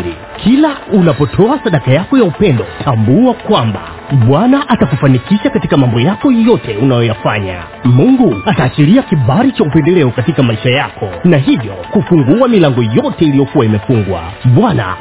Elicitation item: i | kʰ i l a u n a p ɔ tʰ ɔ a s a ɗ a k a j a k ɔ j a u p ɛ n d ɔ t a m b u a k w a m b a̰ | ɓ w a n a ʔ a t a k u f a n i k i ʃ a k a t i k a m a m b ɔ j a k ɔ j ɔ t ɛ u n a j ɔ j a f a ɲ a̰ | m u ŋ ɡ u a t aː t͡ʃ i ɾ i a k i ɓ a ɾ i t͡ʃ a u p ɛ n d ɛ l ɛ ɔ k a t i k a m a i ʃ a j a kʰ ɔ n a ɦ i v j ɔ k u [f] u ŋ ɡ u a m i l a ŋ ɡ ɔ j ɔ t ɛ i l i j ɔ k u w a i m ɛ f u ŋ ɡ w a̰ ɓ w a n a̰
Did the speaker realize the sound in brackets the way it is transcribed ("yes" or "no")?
yes